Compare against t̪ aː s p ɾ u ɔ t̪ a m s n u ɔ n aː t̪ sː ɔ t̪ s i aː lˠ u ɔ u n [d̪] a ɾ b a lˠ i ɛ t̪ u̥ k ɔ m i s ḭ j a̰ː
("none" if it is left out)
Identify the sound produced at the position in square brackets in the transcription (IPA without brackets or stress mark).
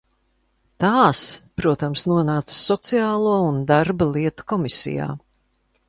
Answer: d̪